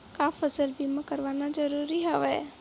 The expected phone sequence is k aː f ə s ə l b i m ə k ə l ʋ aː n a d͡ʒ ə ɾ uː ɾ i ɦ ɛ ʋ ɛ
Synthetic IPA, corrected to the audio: k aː f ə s ə l b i m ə k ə ɾ ʋ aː n a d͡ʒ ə ɾ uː ɾ i ɦ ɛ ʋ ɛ